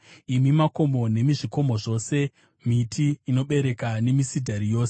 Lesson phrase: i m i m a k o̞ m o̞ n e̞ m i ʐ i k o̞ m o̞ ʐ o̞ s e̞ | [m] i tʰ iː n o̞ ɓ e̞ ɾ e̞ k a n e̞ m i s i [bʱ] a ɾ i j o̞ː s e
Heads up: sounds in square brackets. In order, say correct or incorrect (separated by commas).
correct, incorrect